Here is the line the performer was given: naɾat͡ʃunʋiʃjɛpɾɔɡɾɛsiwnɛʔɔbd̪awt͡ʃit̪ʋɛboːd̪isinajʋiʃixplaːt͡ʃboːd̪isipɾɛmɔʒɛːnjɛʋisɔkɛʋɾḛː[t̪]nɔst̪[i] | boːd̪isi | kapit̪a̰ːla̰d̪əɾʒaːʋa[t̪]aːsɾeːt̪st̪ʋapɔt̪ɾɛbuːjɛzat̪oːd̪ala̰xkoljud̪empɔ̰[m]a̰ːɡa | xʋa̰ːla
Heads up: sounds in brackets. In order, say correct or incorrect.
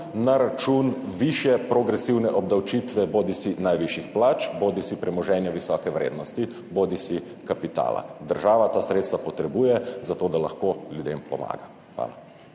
incorrect: d̪, correct, correct, correct

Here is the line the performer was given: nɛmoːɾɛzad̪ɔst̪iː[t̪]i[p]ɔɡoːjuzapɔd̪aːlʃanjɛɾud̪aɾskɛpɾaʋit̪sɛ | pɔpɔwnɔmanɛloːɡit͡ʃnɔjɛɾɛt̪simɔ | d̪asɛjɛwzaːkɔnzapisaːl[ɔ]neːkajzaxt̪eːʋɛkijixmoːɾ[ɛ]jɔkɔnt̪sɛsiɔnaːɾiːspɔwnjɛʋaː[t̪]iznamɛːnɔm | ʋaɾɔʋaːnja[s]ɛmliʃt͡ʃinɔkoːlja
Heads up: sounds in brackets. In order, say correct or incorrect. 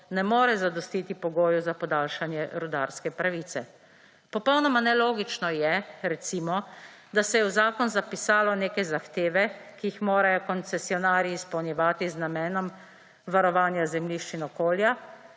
correct, correct, correct, incorrect: a, correct, incorrect: z

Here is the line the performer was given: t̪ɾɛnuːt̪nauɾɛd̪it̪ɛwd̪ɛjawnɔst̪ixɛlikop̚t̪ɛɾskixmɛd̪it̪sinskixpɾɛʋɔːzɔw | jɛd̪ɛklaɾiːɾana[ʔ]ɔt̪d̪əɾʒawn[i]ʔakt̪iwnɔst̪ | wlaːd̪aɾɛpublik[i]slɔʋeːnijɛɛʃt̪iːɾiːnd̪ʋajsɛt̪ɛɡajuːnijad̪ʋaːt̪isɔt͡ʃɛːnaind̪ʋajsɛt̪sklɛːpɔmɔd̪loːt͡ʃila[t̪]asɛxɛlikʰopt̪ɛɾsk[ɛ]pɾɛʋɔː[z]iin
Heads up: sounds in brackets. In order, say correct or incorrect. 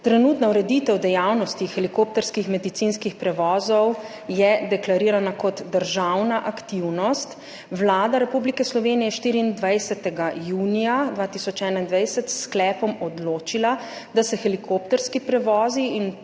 incorrect: k, incorrect: a, incorrect: ɛ, incorrect: d̪, incorrect: i, correct

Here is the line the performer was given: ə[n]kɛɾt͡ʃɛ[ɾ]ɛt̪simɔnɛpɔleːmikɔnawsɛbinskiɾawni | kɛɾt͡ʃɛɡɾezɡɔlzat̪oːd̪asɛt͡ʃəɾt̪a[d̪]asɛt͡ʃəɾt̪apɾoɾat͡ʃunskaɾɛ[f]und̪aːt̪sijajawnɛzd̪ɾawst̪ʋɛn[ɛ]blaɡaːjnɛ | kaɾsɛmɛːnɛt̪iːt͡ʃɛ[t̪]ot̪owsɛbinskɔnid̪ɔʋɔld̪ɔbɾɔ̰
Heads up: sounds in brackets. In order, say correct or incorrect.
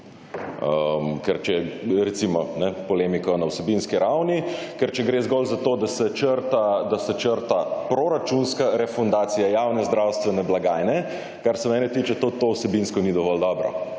incorrect: m, correct, correct, correct, correct, correct

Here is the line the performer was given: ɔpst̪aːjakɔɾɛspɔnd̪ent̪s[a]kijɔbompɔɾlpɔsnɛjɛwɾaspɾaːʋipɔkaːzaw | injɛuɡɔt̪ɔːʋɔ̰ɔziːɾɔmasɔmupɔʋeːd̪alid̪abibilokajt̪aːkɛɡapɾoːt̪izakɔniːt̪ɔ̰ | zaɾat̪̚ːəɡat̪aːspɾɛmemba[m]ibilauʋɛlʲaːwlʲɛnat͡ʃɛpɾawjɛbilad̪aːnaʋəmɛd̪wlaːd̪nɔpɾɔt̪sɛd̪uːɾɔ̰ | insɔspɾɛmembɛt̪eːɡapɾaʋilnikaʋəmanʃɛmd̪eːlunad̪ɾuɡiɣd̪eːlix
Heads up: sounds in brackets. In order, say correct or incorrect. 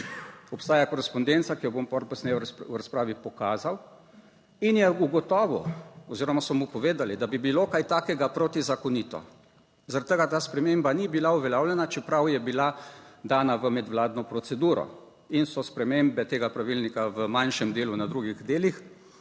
correct, incorrect: n

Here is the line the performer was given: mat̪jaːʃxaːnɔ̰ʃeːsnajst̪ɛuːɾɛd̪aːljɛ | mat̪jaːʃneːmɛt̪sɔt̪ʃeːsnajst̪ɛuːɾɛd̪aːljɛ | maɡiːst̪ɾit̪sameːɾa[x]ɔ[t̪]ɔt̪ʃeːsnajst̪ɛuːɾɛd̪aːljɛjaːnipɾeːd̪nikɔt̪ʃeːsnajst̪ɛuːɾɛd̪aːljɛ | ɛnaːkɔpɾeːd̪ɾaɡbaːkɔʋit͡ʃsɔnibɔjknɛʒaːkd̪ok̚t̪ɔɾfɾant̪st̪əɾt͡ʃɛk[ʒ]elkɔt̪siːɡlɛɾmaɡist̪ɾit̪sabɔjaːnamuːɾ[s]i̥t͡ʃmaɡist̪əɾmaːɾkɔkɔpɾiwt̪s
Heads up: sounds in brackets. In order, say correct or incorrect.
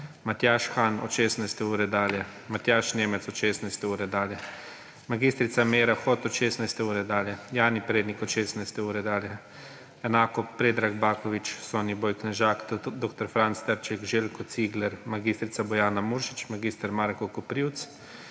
correct, correct, correct, incorrect: ʃ

